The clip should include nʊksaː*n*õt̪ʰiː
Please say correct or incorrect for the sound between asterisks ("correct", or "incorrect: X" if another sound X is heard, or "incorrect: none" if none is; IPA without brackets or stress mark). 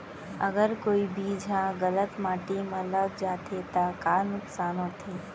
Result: correct